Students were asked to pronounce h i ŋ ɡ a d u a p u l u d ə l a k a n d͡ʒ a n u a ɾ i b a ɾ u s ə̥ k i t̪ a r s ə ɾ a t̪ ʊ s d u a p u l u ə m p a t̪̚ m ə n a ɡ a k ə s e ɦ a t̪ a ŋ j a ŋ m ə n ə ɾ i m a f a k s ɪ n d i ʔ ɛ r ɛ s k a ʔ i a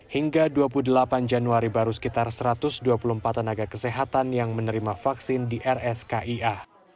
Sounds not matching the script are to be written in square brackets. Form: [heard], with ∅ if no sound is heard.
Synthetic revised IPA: h i ŋ ɡ a d u a p u l u d ə l a [p] a n d͡ʒ a n u a ɾ i b a ɾ u s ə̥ k i t̪ a r s ə ɾ a t̪ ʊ s d u a p u l u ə m p a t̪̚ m ə n a ɡ a k ə s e ɦ a t̪ a [n] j a ŋ m ə n ə ɾ i m a f a k s ɪ n d i ʔ ɛ r ɛ s k a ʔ i a

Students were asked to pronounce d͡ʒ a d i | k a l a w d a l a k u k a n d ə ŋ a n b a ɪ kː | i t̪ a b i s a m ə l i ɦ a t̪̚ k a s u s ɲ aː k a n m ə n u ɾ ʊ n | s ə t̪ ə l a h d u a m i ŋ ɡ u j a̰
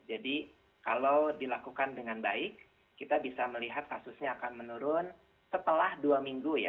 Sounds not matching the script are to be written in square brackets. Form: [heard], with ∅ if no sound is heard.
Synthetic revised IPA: d͡ʒ a d i | k a l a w d [i] l a k u k a n d ə ŋ a n b a ɪ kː | i t̪ a b i s a m ə l i ɦ a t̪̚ k a s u s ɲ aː k a n m ə n u ɾ ʊ n | s ə t̪ ə l a h d u a m i ŋ ɡ u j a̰

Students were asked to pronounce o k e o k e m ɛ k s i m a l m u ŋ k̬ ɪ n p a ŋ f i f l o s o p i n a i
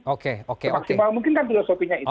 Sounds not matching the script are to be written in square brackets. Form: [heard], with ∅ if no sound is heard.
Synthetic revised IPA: o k e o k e m [a] k s i m a l m u ŋ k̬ ɪ n [k] a [n] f i [∅] l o s o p i [ɲ] a i

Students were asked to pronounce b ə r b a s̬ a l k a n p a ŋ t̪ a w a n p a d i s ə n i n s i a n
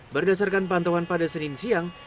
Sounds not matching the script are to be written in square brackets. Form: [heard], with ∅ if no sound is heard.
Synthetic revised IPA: b ə r [d] a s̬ a [r] k a n p a [n] t̪ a w a n p a d [a] s ə n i n s i a [ŋ]

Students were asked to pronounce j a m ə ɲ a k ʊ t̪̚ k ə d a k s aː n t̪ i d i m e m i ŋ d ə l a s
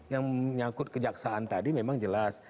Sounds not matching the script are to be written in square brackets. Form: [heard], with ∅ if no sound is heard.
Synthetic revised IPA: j a [ŋ] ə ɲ a k ʊ t̪̚ k ə [d͡ʒ] a k s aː n t̪ [a] d i m e m [a] ŋ [d͡ʒ] ə l a s

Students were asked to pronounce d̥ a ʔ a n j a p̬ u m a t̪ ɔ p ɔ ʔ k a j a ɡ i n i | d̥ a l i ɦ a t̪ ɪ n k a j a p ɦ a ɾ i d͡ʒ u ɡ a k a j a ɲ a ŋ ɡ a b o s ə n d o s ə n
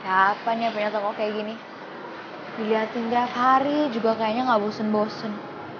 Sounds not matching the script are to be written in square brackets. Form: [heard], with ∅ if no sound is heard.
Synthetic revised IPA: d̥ a [p] a n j a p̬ u [ɲ] a t̪ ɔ [k] ɔ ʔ k a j a ɡ i n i | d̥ [i] l i ɦ a t̪ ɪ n k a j a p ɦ a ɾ i d͡ʒ u ɡ a k a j a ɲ a ŋ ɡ a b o s ə n [b] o s ə n

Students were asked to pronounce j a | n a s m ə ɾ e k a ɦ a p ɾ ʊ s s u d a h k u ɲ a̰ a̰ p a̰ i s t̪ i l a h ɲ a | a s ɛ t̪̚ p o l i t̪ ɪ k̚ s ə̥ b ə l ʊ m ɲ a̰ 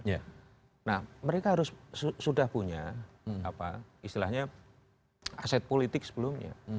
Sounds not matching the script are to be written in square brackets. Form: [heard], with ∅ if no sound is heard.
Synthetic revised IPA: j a | n a [h] m ə ɾ e k a ɦ a [∅] ɾ ʊ s s u d a h [p] u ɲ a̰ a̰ p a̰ i s t̪ i l a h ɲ a | a s ɛ t̪̚ p o l i t̪ ɪ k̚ s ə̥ b ə l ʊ m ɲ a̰

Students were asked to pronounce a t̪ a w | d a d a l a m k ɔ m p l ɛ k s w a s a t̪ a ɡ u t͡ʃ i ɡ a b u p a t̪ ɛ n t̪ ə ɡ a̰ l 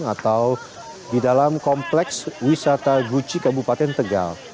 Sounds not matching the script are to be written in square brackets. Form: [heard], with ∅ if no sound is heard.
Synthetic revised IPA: a t̪ a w | d [i] d a l a m k ɔ m p l ɛ k s w [i] s a t̪ a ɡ u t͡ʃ i [k] a b u p a t̪ ɛ n t̪ ə ɡ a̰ l

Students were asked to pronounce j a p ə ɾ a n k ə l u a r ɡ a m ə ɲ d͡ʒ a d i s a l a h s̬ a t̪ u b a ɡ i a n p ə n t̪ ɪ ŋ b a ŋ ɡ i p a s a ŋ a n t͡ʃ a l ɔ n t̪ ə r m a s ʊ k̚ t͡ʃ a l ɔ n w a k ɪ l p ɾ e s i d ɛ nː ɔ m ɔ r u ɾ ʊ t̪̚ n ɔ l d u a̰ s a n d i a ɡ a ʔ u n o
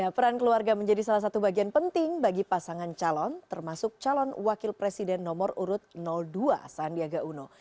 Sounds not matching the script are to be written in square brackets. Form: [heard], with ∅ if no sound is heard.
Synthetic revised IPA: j a p ə ɾ a n k ə l u a r ɡ a m ə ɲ d͡ʒ a d i s a l a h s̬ a t̪ u b a ɡ i a n p ə n t̪ ɪ ŋ b a [∅] ɡ i p a s a ŋ a n t͡ʃ a l ɔ n t̪ ə r m a s ʊ k̚ t͡ʃ a l ɔ n w a k ɪ l p ɾ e s i d ɛ nː ɔ m ɔ r u ɾ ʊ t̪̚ n ɔ l d u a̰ s a n d i a ɡ a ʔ u n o

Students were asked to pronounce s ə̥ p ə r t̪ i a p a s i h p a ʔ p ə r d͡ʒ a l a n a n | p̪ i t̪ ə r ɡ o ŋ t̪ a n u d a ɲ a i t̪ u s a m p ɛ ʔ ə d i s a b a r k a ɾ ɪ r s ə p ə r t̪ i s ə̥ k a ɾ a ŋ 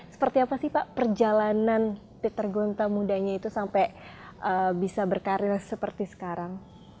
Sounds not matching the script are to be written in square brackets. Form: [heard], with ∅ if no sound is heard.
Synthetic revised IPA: s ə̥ p ə r t̪ i a p a s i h p a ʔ p ə r d͡ʒ a l a n a n | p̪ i t̪ ə r ɡ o [n] t̪ a [m] u d a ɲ a i t̪ u s a m p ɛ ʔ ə [b] i s a b [ə] r k a ɾ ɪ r s ə p ə r t̪ i s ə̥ k a ɾ a ŋ

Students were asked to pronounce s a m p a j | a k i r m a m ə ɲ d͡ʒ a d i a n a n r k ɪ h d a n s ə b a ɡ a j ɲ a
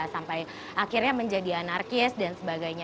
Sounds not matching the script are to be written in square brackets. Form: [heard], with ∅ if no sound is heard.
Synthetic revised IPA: s a m p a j | a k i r [ɲ] a m ə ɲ d͡ʒ a d i a n a [∅] r k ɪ [s] d a n s ə b a ɡ a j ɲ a

